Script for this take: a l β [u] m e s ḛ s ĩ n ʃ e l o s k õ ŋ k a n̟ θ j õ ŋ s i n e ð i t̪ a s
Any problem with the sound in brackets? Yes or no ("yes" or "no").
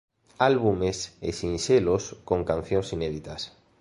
no